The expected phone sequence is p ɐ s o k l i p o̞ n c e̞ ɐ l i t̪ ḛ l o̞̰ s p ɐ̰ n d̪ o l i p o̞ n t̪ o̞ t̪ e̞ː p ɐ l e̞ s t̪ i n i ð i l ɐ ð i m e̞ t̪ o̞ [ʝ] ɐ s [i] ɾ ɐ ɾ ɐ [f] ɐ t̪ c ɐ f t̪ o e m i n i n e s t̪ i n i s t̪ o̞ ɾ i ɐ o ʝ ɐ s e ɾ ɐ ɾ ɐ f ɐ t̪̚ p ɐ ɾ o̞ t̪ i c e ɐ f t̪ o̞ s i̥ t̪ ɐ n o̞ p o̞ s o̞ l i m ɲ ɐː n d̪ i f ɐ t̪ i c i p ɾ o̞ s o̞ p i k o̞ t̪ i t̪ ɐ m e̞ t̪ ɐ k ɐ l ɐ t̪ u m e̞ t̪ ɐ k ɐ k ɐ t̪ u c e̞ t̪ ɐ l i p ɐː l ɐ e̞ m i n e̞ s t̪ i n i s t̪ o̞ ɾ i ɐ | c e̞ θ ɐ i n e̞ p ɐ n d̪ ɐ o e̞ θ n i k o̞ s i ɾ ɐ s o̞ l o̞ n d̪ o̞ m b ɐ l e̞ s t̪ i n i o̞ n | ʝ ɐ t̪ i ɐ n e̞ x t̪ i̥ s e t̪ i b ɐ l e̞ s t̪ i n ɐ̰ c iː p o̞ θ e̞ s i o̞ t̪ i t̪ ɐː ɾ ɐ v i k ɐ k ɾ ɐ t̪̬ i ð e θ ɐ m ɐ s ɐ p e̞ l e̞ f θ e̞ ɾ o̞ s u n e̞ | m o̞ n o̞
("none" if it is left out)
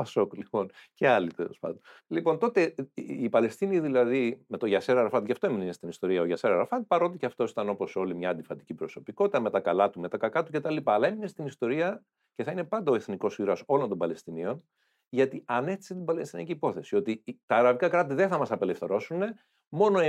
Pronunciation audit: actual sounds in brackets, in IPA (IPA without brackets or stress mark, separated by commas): ʝ, e, f